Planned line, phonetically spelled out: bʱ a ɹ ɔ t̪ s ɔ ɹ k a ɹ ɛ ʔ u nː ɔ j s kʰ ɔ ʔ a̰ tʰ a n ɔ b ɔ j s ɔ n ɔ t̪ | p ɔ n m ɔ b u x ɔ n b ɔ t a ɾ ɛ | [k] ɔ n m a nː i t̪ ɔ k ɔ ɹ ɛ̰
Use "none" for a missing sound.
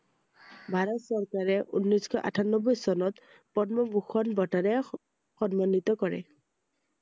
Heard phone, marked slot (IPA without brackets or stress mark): x